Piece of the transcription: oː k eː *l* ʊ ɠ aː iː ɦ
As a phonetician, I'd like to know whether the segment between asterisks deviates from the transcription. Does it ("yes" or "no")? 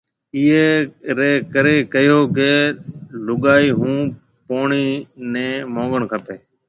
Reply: no